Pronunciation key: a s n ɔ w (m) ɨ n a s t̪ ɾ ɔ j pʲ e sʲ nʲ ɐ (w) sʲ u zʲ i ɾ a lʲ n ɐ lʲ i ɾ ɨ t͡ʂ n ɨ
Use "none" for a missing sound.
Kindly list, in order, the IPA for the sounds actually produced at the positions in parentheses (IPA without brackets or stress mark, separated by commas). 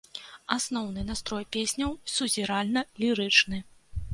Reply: n, w